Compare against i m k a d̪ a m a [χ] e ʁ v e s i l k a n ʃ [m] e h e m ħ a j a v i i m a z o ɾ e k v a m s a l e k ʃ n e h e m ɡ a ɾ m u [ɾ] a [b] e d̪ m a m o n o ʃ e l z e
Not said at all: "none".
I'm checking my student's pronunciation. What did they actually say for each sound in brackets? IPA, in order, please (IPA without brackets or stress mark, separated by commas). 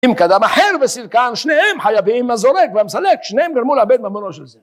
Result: ħ, n, l, b